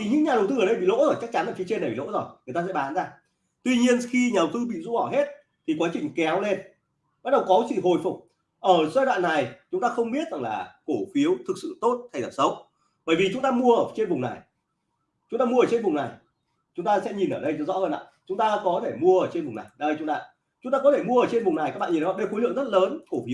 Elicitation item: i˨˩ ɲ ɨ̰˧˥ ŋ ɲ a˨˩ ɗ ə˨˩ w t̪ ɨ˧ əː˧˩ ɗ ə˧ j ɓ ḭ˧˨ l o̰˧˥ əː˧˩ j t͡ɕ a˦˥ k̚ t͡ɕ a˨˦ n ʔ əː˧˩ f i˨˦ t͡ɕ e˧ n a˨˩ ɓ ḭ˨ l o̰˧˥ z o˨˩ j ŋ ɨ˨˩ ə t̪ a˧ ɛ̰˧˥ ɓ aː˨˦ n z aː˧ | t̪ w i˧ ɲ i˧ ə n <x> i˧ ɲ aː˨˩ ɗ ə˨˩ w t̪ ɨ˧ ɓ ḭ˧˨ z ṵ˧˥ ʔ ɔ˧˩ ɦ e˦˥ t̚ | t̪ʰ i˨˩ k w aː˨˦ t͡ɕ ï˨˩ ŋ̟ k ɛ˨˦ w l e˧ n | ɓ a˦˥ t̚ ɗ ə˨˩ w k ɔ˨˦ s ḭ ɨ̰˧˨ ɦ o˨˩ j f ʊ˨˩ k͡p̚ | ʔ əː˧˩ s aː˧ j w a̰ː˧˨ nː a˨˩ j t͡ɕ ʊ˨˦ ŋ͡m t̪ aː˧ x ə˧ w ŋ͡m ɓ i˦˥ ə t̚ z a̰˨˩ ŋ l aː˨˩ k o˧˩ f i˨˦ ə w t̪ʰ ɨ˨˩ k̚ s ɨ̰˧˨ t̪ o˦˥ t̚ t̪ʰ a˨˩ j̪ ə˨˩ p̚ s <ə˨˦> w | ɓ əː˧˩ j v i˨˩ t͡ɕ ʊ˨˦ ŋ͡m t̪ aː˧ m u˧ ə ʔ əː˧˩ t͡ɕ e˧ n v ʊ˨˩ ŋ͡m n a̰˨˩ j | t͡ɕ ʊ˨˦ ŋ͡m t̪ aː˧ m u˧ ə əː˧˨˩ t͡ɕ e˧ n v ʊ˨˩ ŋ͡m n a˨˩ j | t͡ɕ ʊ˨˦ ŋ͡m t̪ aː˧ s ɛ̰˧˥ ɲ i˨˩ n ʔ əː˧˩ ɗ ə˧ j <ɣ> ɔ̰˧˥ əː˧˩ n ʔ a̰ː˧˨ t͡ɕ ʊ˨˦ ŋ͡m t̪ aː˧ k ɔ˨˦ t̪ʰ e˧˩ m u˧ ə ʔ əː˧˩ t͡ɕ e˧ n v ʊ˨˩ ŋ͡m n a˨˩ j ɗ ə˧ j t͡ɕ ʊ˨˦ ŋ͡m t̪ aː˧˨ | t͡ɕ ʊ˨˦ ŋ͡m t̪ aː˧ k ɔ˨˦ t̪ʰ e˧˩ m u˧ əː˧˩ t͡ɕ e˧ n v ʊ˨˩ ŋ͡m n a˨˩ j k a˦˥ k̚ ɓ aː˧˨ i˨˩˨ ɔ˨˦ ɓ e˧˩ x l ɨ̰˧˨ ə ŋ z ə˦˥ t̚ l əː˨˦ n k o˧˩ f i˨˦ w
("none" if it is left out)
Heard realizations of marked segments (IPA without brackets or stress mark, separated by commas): x, ə˨˦, z